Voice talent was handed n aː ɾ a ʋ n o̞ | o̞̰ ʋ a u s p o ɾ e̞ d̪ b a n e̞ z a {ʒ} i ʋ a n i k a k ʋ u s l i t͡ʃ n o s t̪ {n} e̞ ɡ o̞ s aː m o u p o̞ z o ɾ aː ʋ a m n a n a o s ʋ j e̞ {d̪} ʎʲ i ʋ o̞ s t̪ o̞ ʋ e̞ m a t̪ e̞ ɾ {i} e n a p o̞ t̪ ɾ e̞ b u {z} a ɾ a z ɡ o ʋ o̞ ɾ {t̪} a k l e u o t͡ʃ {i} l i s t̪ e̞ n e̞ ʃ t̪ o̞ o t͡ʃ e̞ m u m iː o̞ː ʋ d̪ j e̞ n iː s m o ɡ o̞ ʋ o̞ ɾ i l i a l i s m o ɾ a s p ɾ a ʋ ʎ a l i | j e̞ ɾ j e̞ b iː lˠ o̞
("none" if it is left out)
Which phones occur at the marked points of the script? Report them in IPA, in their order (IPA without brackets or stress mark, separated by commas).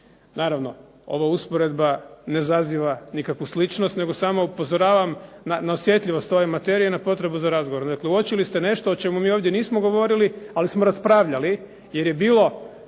z, n, t̪, i, z, d̪, i